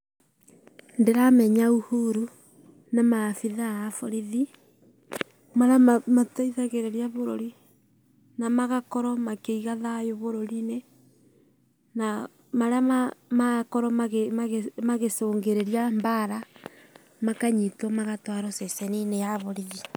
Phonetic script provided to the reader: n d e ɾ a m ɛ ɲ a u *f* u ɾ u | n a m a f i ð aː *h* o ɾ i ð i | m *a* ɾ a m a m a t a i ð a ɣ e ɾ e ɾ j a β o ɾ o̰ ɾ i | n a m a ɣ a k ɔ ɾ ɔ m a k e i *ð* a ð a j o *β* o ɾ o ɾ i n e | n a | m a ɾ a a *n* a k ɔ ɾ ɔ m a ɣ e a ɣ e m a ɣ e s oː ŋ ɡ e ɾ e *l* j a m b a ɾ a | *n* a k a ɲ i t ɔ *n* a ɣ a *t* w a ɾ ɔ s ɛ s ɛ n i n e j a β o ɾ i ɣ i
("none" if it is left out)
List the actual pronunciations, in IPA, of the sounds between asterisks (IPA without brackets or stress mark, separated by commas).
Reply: h, f, a, ɣ, β, m, ɾ, m, m, t